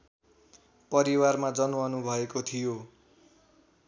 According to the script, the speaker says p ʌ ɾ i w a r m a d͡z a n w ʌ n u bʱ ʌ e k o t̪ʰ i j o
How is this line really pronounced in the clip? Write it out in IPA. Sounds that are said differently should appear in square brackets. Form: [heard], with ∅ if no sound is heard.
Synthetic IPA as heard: p ʌ ɾ i w a r m a d͡z [ʌ] n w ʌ n u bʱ ʌ e k o t̪ʰ i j o